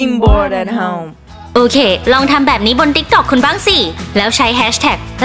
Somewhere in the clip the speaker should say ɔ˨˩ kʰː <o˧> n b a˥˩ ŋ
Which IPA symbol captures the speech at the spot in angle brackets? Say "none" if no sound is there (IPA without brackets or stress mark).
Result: u˧